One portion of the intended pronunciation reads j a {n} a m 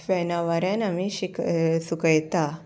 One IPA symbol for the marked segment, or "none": n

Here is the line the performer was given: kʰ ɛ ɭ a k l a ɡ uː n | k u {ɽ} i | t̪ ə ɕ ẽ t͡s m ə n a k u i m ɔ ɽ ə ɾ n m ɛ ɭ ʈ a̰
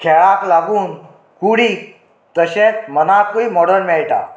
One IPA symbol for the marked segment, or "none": ɽ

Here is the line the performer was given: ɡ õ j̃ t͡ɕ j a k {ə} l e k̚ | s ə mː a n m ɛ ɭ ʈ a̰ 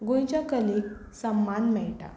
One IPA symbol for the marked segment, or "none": ə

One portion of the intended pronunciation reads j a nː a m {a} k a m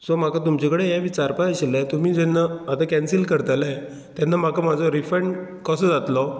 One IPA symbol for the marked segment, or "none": a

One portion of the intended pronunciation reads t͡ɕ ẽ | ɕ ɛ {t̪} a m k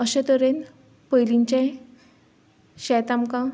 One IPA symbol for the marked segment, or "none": t̪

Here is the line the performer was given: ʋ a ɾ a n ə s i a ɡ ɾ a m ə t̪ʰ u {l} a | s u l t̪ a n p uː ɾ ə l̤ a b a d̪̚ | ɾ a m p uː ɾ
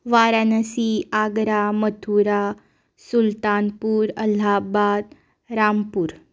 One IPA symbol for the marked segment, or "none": ɾ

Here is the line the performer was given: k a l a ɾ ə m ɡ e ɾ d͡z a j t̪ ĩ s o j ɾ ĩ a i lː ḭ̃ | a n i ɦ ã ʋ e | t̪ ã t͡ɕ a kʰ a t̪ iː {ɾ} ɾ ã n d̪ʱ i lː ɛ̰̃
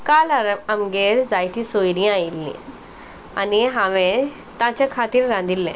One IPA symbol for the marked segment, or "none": ɾ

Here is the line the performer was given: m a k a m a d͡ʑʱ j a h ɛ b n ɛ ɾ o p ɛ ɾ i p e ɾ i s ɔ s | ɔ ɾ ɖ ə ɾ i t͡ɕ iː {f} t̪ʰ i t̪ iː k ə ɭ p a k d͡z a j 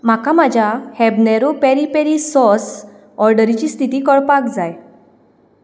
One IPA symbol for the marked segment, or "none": s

